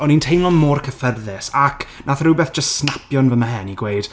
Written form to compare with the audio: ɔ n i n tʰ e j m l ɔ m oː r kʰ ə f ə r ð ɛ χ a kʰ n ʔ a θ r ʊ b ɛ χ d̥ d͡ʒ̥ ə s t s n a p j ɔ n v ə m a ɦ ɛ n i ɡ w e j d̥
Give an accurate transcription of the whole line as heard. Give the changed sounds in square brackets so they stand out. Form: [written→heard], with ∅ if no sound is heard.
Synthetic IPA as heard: ɔ n i n tʰ e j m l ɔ m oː r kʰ ə f ə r ð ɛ [χ→s] a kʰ n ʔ a θ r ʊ b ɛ [χ→θ] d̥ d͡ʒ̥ ə s t s n a p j ɔ n v ə m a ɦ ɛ n i ɡ w e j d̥

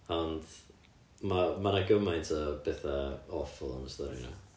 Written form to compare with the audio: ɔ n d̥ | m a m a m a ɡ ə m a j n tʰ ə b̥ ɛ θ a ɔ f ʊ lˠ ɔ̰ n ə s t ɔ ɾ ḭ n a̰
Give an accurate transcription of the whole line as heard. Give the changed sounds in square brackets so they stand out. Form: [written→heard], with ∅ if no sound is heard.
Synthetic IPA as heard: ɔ n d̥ | m a m a [m→n] a ɡ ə m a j n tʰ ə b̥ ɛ θ a ɔ f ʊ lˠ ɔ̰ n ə s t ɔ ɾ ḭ n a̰

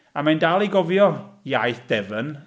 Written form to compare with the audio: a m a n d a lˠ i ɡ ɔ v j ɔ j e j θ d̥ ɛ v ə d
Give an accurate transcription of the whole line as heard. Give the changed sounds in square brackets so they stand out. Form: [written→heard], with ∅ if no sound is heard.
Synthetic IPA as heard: a m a n d a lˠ i ɡ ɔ v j ɔ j [e→a] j θ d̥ ɛ v ə [d→n]

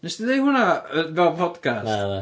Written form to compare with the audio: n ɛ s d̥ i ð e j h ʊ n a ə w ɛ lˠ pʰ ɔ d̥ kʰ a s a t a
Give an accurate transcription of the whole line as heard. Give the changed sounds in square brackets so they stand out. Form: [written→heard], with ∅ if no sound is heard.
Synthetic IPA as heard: n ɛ s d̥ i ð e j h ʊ n a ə [w→v] ɛ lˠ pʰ ɔ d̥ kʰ a s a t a

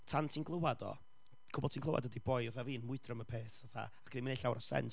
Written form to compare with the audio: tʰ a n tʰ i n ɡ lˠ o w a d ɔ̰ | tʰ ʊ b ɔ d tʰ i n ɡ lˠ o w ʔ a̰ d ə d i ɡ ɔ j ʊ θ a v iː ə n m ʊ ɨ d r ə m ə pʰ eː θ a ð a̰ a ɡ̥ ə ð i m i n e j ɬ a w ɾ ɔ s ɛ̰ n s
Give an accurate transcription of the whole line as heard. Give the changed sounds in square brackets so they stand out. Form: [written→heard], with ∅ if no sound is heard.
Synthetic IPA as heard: tʰ a n tʰ i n ɡ lˠ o w a d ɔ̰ | [tʰ→kʰ] ʊ b ɔ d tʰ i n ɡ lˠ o w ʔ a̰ d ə d i [ɡ→b] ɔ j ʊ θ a v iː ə n m ʊ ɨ d r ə m ə pʰ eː θ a [ð→θ] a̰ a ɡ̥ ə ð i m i n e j ɬ a w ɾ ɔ s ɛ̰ n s

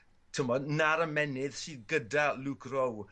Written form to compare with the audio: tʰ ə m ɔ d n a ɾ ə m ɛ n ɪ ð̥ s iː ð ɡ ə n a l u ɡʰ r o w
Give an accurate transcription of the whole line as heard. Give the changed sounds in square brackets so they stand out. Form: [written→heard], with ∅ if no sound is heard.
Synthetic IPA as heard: tʰ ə m ɔ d n a ɾ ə m ɛ n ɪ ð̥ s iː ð ɡ ə [n→d] a l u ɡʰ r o w

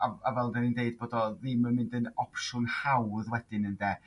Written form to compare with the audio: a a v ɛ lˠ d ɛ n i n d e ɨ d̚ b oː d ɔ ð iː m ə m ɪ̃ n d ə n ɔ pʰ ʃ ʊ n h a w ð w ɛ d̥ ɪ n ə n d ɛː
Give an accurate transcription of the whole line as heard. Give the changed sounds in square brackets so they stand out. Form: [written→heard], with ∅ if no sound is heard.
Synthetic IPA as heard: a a v ɛ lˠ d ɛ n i n d e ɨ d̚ b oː d ɔ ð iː m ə m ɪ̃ n d ə n ɔ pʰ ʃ ʊ n h a w ð w ɛ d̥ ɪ n ə n d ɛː

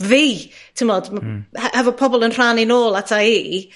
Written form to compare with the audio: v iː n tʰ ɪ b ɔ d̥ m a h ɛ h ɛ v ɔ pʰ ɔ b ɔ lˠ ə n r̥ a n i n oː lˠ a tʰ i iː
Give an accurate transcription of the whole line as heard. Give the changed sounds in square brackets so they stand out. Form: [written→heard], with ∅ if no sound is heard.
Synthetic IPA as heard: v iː [n→∅] tʰ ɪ [b→m] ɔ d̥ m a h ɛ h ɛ v ɔ pʰ ɔ b ɔ lˠ ə n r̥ a n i n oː lˠ a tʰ [i→a] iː

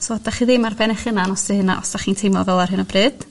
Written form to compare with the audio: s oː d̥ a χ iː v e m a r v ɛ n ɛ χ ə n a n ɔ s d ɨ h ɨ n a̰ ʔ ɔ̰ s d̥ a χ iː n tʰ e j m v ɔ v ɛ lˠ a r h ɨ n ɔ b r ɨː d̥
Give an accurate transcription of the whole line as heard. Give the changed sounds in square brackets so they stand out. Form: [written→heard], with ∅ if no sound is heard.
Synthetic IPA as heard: s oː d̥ a χ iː [v→ð] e m a r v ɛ n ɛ χ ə n a n ɔ s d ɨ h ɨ n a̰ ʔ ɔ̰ s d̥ a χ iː n tʰ e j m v ɔ v ɛ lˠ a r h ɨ n ɔ b r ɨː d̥

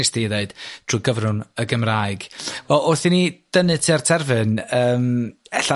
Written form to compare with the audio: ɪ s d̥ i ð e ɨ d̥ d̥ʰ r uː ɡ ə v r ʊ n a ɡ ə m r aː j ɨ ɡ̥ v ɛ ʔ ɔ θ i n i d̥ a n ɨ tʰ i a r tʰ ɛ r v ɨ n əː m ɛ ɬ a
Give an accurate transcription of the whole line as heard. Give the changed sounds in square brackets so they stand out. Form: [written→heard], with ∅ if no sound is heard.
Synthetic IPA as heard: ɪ s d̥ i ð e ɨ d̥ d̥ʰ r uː ɡ ə v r ʊ n [a→ə] ɡ ə m r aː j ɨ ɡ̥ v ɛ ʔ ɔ θ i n i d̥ [a→ə] n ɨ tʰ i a r tʰ ɛ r v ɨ n əː m ɛ ɬ a

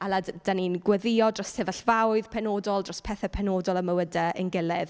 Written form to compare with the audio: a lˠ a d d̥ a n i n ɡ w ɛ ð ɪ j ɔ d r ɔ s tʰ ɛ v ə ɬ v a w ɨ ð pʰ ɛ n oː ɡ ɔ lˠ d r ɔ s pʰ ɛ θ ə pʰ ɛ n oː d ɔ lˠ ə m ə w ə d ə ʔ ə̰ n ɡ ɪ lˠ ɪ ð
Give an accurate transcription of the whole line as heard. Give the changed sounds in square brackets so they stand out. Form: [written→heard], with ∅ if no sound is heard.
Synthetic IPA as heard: a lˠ a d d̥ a n i n ɡ w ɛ ð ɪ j ɔ d r ɔ s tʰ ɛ v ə ɬ v a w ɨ ð pʰ ɛ n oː [ɡ→d] ɔ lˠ d r ɔ s pʰ ɛ θ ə pʰ ɛ n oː d ɔ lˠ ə m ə w ə d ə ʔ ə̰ n ɡ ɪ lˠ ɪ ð

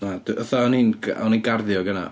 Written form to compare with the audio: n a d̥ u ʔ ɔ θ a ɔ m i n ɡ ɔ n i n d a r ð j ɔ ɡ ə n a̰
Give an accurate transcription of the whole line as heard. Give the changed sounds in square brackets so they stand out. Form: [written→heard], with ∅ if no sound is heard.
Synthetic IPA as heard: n a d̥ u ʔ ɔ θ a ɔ [m→n] i n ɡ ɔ n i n [d→ɡ] a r ð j ɔ ɡ ə n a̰

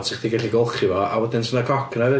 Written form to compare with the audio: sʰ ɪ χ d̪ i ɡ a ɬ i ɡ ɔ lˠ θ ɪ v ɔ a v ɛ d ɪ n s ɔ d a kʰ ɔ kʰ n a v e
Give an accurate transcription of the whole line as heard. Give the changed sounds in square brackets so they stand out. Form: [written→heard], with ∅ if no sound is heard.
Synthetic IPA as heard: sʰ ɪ χ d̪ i ɡ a ɬ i ɡ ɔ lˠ [θ→χ] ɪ v ɔ a [v→w] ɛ d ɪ n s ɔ [d→n] a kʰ ɔ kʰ n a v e

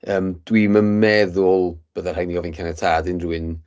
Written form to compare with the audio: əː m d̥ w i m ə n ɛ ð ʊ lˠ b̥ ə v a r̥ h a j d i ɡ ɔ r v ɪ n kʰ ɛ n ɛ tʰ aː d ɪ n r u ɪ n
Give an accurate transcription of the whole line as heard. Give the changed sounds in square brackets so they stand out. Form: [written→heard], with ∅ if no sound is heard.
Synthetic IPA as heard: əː m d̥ w i m ə [n→m] ɛ ð ʊ lˠ b̥ ə [v→ð] a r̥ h a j [d→n] i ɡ ɔ [r→∅] v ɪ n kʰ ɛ n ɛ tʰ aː d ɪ n r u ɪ n

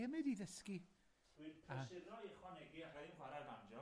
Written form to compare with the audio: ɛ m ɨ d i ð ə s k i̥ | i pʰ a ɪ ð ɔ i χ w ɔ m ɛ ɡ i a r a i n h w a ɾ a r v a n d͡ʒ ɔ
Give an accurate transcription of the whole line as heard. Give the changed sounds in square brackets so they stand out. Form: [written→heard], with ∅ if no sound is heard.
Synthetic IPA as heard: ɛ m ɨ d i ð ə s k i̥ | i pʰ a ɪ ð ɔ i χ w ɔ [m→n] ɛ ɡ i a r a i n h w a ɾ a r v a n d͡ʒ ɔ

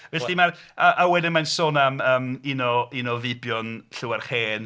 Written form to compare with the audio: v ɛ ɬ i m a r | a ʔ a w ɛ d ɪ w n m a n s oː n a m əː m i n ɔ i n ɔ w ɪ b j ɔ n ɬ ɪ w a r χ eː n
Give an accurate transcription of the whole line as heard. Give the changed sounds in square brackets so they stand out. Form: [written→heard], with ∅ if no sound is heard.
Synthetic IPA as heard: v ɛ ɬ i m a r | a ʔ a w ɛ d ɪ [w→∅] n m a n s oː n a m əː m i n ɔ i n ɔ [w→v] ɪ b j ɔ n ɬ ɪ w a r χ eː n

